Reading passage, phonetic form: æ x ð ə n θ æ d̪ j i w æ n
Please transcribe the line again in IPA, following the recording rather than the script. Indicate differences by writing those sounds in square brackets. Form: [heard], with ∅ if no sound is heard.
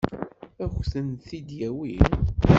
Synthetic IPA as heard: æ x [θ] ə n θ [i] d̪ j [æ] w [i] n